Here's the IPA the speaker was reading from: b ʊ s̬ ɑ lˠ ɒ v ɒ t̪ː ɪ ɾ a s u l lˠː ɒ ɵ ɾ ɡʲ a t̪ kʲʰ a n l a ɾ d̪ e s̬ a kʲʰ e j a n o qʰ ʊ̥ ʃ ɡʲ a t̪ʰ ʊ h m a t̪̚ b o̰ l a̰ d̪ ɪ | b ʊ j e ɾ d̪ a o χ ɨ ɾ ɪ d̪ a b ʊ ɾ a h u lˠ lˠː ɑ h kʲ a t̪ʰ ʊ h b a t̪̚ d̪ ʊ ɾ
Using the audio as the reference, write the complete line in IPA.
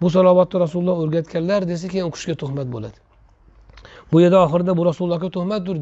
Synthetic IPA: b ʊ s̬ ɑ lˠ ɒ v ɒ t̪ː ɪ ɾ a s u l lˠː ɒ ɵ ɾ ɡʲ a t̪ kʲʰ a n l a ɾ d̪ e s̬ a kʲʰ e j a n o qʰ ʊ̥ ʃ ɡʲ a t̪ʰ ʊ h m a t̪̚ b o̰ l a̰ d̪ ɪ | b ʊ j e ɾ d̪ a ɒ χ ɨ ɾ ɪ d̪ a b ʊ ɾ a s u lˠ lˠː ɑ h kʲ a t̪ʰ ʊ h m a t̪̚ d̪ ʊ ɾ